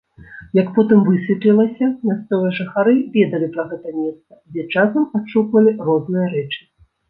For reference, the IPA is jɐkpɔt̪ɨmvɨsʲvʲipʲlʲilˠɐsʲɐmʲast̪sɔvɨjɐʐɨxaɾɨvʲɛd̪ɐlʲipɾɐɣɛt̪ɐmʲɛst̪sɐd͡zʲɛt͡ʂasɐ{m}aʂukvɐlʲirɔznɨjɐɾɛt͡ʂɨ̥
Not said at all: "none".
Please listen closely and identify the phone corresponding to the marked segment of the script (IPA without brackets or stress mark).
m